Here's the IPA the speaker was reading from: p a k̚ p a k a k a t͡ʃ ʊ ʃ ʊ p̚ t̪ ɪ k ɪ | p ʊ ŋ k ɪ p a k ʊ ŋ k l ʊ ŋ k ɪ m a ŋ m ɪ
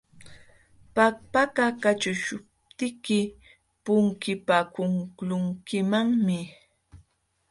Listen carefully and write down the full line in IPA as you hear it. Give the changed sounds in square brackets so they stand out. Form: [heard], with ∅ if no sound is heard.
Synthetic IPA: p a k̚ p a k a k a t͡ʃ ʊ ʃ ʊ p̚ t̪ ɪ k ɪ | p ʊ ŋ k ɪ p a k ʊ ŋ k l ʊ ŋ k ɪ m a ŋ m ɪ